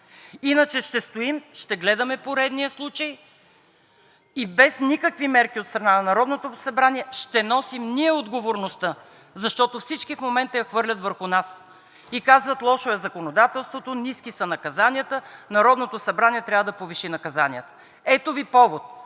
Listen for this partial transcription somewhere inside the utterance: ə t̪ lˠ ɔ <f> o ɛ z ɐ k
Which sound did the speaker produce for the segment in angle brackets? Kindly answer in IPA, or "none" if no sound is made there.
ʃ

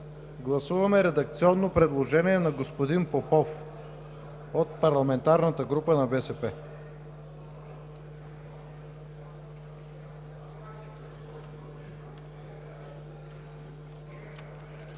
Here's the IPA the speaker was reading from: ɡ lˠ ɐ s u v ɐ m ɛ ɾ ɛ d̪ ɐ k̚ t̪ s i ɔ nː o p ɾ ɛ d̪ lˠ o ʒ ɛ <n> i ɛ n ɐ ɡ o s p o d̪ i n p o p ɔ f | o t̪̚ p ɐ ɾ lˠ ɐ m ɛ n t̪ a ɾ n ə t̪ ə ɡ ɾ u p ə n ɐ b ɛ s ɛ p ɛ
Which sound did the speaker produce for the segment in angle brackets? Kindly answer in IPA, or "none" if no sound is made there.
n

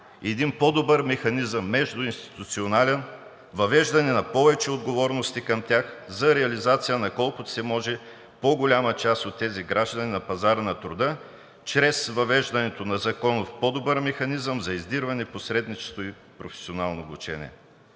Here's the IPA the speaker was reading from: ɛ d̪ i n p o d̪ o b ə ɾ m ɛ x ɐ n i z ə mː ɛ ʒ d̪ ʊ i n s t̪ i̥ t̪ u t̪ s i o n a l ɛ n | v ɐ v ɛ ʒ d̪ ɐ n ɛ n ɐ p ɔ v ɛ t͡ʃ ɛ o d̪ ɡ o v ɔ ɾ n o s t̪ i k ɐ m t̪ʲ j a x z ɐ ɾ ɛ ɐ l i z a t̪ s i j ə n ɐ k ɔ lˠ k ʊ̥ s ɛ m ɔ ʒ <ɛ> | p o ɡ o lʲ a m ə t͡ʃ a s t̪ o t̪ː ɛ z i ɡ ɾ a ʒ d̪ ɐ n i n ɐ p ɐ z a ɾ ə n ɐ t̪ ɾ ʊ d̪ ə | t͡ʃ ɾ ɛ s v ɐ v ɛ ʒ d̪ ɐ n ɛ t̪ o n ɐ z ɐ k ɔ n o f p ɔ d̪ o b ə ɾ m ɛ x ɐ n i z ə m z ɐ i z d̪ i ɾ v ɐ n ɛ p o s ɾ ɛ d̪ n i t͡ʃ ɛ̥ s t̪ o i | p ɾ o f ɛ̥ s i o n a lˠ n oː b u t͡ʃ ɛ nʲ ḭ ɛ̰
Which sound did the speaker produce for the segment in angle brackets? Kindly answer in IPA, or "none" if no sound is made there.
ɛ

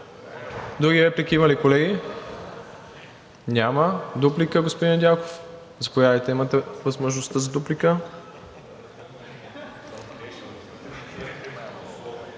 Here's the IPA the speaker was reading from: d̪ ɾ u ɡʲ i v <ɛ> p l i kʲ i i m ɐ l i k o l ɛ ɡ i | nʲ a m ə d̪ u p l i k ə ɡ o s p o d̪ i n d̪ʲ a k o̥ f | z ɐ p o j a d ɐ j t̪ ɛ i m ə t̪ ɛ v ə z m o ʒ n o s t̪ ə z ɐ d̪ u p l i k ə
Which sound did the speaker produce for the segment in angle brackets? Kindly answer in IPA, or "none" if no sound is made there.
ɛ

